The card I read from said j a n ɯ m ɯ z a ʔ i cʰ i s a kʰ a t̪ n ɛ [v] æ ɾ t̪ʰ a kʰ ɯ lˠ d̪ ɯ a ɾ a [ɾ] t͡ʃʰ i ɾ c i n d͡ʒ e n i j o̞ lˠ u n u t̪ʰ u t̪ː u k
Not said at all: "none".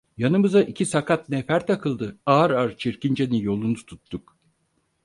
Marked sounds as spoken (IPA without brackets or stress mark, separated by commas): f, ɾ